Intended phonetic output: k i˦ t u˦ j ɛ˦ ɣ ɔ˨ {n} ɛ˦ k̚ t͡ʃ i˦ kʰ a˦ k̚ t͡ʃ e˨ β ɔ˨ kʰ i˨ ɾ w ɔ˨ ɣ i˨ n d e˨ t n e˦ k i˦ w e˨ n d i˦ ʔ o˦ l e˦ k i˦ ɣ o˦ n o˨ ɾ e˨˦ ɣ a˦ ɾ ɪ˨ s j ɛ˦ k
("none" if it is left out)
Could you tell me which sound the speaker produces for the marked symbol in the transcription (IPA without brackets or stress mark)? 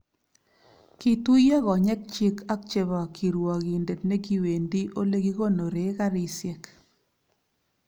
ɲ